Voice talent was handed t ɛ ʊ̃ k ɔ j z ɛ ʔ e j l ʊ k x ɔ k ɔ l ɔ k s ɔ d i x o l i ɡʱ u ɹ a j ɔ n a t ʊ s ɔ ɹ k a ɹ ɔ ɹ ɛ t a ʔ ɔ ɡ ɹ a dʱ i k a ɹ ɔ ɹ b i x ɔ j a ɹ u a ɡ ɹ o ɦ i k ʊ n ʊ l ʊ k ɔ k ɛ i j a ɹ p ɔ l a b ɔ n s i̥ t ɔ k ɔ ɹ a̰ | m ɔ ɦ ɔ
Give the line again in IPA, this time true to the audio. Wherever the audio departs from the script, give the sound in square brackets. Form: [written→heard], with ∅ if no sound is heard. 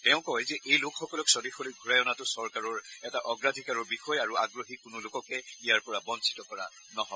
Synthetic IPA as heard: t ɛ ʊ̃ k ɔ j z ɛ ʔ e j l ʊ k x ɔ k ɔ l ɔ k s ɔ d i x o l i ɡʱ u ɹ a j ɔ n a t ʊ s ɔ ɹ k a ɹ ɔ ɹ ɛ t a ʔ ɔ ɡ ɹ a dʱ i k a ɹ ɔ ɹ b i x ɔ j a ɹ u a ɡ ɹ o ɦ i k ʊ n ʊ l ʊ k ɔ k ɛ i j a ɹ p ɔ [l→ɹ] a b ɔ n s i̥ t ɔ k ɔ ɹ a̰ | [m→n] ɔ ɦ ɔ